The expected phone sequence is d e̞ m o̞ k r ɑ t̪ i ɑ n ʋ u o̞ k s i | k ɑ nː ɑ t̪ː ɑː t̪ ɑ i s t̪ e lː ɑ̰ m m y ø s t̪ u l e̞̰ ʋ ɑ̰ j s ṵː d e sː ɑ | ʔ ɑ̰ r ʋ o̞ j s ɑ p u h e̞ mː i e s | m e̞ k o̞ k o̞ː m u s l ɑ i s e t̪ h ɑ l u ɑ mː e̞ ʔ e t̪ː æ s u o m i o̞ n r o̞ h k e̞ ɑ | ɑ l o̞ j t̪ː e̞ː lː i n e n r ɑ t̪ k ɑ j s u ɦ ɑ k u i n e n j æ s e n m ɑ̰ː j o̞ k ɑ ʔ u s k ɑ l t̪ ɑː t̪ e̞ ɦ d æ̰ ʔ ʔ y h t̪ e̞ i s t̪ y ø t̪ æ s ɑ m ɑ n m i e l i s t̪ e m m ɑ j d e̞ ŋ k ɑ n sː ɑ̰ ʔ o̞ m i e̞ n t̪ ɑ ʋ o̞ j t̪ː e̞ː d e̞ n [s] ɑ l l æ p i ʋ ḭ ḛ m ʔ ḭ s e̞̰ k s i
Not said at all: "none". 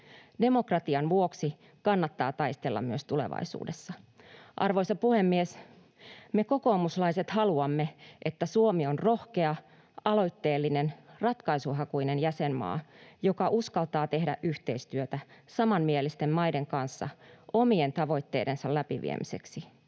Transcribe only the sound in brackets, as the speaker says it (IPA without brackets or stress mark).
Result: s